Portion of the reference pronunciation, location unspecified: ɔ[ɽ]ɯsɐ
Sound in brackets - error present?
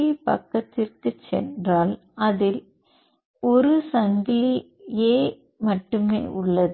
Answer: yes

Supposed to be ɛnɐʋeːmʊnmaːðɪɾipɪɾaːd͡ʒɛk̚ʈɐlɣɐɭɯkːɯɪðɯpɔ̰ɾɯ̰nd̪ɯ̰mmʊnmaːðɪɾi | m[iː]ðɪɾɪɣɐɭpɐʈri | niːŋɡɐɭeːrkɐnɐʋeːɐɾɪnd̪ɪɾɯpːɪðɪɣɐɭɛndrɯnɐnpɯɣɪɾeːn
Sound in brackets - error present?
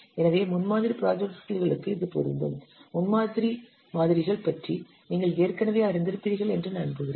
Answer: yes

